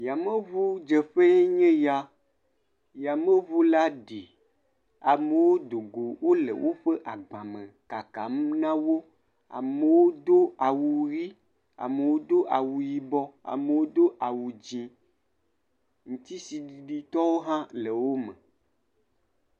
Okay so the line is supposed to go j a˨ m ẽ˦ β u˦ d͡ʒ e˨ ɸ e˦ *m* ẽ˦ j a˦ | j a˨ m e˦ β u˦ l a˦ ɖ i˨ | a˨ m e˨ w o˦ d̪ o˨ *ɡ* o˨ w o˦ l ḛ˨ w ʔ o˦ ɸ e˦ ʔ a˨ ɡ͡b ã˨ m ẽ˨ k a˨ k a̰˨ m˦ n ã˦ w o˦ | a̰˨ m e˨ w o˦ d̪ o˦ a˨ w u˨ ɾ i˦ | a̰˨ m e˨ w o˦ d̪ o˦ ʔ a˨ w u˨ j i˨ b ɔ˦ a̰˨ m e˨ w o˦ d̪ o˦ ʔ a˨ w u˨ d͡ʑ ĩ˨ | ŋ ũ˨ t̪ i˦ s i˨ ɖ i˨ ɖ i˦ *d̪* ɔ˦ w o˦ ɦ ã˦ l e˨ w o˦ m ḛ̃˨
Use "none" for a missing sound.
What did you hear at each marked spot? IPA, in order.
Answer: ɲ, ɡ, t̪

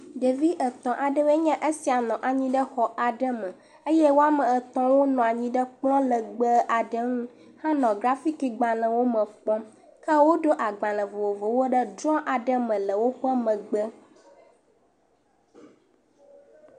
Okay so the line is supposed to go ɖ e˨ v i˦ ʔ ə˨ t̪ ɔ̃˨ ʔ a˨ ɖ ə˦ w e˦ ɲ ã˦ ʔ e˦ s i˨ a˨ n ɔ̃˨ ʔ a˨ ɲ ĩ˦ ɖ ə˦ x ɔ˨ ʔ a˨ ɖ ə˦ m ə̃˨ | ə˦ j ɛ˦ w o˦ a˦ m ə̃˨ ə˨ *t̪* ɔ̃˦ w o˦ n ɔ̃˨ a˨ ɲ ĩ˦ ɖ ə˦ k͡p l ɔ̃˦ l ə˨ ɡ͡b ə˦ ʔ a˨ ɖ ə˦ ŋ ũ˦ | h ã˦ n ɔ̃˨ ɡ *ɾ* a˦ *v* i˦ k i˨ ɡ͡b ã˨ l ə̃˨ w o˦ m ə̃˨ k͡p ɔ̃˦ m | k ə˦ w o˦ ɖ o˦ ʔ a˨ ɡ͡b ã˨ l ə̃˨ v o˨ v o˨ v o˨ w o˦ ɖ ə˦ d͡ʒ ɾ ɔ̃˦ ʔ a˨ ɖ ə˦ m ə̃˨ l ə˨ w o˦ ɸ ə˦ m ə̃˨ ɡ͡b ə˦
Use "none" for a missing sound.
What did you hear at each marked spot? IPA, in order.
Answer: t̪, ɾ, f

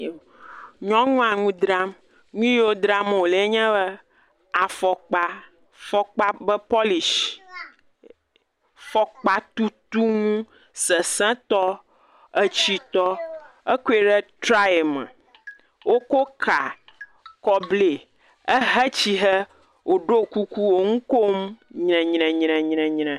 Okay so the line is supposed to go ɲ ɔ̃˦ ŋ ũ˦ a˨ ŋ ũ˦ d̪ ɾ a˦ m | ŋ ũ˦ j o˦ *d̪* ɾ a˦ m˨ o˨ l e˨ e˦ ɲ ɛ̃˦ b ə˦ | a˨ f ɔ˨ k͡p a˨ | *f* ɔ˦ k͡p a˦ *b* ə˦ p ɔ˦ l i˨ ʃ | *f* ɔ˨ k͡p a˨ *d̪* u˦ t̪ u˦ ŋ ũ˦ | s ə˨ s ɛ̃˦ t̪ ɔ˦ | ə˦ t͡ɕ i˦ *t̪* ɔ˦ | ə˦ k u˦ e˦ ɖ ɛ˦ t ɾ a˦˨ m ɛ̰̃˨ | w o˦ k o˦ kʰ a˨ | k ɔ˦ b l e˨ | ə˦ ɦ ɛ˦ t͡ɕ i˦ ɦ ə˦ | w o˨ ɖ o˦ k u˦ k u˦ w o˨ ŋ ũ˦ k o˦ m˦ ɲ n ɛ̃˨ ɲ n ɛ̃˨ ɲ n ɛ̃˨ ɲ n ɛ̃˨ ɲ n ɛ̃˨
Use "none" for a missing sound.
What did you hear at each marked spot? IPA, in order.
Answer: d̪, f, b, f, t̪, t̪

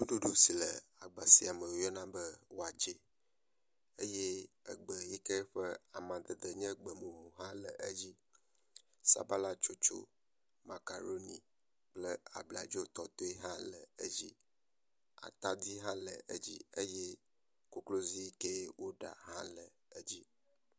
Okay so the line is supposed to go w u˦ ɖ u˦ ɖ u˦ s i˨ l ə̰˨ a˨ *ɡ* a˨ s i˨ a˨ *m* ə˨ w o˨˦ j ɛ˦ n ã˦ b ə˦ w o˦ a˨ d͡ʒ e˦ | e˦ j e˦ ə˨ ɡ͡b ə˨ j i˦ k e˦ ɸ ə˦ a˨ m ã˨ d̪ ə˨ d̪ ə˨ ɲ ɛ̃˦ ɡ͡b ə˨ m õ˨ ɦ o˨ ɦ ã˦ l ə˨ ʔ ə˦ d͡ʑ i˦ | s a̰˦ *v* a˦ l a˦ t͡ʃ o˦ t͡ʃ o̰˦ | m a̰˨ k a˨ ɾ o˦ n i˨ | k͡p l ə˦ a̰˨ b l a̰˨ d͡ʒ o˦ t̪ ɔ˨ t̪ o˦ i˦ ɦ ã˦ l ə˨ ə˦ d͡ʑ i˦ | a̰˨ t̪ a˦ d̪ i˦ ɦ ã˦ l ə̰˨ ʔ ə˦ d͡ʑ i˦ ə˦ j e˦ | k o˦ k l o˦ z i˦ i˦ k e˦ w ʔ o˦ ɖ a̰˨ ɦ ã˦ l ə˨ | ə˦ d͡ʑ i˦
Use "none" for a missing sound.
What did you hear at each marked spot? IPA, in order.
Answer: ɡ͡b, m, b

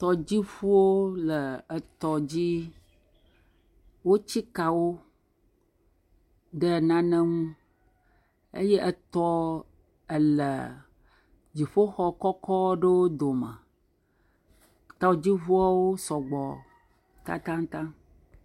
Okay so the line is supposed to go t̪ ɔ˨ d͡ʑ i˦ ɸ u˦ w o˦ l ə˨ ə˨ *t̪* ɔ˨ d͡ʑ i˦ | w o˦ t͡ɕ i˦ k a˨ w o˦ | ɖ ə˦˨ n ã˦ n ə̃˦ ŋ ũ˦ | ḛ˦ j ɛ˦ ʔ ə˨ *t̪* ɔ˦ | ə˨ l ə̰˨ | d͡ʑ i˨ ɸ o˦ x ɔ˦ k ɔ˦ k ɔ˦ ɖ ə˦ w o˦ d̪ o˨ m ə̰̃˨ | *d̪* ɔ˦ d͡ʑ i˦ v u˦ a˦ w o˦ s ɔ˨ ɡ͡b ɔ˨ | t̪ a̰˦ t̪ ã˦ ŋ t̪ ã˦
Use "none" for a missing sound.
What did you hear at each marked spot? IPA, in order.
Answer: t̪, t̪, t̪

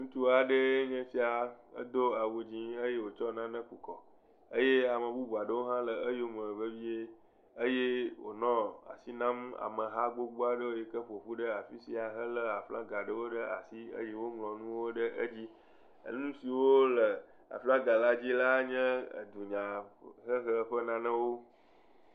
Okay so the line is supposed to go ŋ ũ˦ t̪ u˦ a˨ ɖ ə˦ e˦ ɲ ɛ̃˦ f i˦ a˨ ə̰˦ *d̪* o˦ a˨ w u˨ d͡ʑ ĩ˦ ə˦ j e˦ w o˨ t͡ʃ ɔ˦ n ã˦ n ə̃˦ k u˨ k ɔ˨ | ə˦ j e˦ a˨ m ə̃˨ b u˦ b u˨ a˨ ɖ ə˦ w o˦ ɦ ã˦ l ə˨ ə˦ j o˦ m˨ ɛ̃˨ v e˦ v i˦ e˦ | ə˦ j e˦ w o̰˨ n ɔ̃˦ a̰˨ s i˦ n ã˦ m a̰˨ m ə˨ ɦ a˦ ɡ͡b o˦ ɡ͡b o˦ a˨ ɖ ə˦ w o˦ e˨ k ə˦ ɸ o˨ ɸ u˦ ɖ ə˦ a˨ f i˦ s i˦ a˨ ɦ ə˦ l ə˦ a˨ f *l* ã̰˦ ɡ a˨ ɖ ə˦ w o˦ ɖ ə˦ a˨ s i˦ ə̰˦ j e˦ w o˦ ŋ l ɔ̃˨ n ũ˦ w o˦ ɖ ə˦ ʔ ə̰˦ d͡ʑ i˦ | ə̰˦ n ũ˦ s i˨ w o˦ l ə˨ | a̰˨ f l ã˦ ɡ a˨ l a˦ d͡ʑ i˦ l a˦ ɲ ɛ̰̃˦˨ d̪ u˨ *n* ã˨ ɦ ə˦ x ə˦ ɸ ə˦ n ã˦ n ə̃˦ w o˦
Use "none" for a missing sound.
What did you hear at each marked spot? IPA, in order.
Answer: d̪, l, ɲ

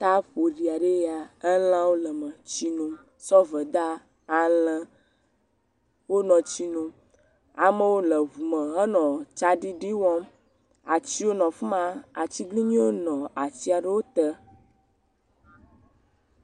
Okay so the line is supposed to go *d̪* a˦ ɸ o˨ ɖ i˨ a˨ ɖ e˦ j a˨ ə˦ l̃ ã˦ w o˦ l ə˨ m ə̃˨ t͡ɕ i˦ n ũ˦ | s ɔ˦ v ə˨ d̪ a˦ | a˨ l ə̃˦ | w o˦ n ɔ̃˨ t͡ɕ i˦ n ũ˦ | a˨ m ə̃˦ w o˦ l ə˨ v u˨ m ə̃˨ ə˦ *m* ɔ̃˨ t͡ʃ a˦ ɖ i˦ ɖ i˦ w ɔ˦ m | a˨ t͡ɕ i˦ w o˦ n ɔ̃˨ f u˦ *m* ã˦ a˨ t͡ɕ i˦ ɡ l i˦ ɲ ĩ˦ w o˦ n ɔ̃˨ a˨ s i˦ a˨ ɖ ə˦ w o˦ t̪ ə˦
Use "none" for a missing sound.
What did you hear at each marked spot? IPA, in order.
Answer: t̪, n, m

